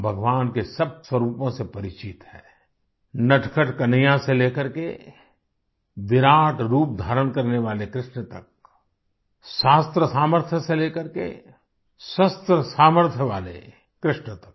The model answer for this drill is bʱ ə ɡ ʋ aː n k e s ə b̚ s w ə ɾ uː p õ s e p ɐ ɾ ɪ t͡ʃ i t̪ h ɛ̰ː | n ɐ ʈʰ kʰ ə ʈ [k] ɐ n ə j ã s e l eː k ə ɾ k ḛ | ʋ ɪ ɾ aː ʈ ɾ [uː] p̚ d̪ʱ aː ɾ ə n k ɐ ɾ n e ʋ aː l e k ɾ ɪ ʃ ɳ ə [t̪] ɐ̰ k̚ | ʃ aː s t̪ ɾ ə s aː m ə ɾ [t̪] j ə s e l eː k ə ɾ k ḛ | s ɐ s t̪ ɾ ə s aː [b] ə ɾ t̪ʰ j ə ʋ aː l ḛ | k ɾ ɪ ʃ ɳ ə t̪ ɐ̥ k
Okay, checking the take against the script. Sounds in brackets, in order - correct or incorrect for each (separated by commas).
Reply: correct, correct, correct, incorrect, incorrect